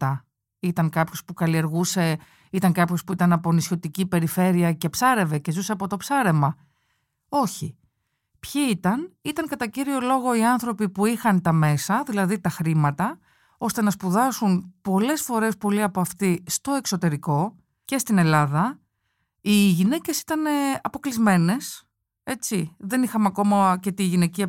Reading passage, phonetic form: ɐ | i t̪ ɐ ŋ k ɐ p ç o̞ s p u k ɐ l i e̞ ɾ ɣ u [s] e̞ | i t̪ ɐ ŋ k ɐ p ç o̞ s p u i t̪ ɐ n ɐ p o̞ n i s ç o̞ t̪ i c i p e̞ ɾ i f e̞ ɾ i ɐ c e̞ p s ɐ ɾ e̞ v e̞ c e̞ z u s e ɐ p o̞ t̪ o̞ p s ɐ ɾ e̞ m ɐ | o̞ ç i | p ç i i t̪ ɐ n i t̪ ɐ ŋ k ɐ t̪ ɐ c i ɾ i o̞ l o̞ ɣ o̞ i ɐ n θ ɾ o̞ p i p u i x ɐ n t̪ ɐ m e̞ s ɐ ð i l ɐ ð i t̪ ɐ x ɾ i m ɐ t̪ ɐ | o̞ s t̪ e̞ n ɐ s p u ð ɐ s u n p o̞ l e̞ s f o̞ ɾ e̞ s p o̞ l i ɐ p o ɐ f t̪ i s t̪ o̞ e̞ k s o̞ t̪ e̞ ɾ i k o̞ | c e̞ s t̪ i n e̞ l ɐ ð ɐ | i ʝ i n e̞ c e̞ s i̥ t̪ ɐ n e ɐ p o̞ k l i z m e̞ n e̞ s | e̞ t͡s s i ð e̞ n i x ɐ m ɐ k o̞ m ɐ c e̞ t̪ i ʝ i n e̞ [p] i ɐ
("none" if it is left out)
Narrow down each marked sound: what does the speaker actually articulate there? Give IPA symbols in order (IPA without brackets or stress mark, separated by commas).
s, c